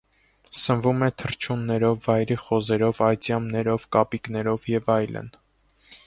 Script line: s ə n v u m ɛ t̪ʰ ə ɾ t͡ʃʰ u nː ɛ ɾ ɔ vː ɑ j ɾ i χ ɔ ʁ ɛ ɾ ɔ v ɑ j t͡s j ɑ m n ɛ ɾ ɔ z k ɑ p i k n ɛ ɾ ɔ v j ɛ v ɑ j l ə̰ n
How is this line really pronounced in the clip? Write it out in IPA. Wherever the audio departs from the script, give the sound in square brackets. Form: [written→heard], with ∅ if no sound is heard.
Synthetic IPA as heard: s ə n v u m ɛ t̪ʰ ə ɾ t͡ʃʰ u nː ɛ ɾ ɔ vː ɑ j ɾ i χ ɔ [ʁ→z] ɛ ɾ ɔ v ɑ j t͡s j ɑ m n ɛ ɾ ɔ [z→v] k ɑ p i k n ɛ ɾ ɔ v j ɛ v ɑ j l ə̰ n